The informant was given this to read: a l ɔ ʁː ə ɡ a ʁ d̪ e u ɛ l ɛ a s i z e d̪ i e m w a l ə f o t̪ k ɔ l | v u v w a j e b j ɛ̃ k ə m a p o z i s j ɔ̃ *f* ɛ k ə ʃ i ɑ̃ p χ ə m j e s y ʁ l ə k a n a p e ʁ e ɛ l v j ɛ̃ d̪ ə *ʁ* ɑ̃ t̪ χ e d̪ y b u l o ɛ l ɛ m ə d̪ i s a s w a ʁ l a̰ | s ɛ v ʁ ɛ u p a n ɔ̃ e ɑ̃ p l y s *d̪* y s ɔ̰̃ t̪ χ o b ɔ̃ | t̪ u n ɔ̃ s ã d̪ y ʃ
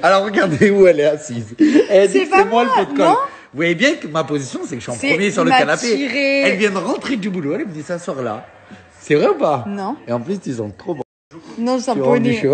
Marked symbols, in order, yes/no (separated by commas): no, yes, no